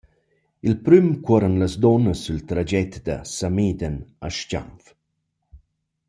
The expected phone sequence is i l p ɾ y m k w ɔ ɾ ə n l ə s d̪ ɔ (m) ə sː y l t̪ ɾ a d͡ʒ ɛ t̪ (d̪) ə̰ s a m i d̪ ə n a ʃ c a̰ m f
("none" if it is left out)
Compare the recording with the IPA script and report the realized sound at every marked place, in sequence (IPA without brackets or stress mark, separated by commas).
n, d̪